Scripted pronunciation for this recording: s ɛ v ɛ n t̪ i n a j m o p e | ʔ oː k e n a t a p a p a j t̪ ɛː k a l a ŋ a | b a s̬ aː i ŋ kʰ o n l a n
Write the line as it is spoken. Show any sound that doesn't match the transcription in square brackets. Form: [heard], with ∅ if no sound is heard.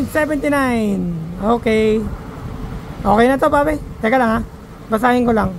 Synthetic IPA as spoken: s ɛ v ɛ n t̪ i n a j [n] o [k] e | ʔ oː k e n a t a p a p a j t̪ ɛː k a l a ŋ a | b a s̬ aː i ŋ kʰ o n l a [ŋ]